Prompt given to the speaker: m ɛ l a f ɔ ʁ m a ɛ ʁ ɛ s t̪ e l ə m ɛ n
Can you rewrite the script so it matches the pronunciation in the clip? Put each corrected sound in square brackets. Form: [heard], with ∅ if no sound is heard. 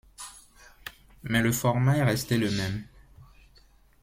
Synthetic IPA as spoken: m ɛ l [ə] f ɔ ʁ m a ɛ ʁ ɛ s t̪ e l ə m ɛ [m]